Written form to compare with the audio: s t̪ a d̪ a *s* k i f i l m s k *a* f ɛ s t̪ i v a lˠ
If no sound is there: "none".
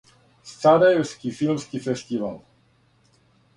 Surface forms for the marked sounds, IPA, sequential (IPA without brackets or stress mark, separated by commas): s, i